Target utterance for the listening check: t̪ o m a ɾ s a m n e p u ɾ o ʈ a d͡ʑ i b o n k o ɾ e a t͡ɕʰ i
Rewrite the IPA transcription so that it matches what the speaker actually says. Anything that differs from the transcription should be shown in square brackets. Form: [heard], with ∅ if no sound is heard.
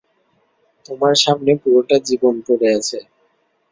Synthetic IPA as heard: t̪ o m a ɾ [ʃ] a m n e p u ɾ o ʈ a d͡ʑ i b o n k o ɾ e a t͡ɕʰ [e]